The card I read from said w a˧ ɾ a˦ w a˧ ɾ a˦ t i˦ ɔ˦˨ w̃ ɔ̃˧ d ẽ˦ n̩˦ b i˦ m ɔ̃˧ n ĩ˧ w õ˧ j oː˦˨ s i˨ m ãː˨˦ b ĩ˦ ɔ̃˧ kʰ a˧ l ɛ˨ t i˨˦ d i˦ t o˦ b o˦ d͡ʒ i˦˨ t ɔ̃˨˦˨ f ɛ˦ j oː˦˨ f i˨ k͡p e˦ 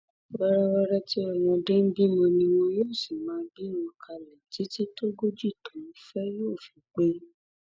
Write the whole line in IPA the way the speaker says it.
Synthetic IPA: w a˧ ɾ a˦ w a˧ ɾ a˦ t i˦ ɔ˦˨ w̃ ɔ̃˧ d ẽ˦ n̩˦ b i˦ m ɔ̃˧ n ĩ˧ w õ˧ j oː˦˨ s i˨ m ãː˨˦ b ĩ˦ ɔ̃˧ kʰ a˧ l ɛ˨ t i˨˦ t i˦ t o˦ ɡ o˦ d͡ʒ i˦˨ t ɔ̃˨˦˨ f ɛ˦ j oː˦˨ f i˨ k͡p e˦